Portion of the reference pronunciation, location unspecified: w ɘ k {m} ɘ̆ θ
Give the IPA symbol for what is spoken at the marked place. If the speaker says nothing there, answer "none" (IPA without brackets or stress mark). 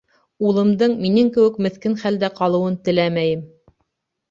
m